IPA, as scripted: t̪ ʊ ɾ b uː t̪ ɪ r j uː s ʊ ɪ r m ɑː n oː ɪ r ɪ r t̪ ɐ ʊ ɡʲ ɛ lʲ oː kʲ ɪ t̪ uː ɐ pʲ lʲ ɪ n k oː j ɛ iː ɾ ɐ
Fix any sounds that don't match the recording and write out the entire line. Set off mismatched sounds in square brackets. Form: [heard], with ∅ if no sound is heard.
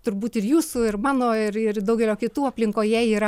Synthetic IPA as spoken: t̪ ʊ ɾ b uː t̪ ɪ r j uː s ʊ ɪ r m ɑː n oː ɪ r ɪ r [d̪] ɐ ʊ ɡʲ ɛ lʲ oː kʲ ɪ t̪ uː ɐ pʲ lʲ ɪ [ŋ] k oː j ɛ iː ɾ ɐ